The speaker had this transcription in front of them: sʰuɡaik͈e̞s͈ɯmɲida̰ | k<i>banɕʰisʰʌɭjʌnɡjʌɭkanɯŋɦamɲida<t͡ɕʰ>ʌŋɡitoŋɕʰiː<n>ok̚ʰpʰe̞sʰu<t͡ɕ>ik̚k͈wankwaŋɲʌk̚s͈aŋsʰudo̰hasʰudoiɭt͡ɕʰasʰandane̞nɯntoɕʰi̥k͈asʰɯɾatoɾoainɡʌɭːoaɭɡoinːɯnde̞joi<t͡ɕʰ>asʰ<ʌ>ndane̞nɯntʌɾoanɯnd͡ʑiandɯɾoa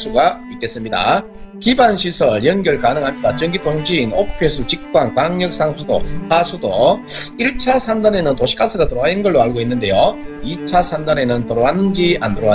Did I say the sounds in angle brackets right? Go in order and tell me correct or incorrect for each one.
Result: correct, incorrect, correct, correct, correct, incorrect

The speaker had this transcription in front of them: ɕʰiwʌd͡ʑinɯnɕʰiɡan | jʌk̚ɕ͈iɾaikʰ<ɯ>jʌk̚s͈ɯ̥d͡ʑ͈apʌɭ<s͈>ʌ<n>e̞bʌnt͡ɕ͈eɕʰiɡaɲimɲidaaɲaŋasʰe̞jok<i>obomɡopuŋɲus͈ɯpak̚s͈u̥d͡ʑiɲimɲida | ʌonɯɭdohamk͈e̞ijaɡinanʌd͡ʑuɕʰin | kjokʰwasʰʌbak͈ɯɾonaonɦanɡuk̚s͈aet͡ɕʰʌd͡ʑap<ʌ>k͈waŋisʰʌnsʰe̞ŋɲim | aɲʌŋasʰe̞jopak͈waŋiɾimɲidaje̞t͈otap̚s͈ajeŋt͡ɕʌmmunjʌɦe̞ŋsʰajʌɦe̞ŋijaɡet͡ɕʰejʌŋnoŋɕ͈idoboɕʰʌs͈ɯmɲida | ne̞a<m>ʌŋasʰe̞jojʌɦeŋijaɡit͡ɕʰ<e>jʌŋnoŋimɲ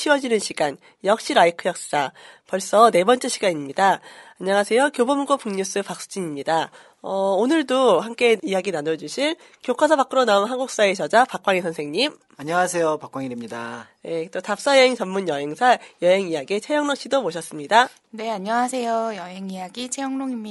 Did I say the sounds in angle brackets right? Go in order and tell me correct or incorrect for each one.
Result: correct, correct, correct, incorrect, incorrect, incorrect, correct

